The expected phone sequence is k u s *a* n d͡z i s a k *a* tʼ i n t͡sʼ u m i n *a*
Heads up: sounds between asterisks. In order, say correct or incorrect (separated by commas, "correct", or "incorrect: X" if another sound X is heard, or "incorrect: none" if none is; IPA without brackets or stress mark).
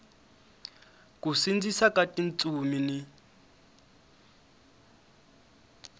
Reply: incorrect: i, correct, incorrect: i